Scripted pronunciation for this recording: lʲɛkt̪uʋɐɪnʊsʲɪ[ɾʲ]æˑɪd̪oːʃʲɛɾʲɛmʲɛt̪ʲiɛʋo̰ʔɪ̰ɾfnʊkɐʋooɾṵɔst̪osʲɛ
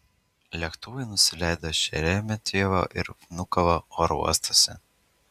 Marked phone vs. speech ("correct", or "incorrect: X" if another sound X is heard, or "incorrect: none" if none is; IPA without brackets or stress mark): incorrect: lʲ